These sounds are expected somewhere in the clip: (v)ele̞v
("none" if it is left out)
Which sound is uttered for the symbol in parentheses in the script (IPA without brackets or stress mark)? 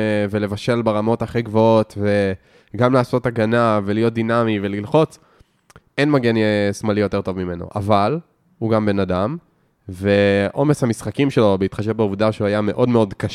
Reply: v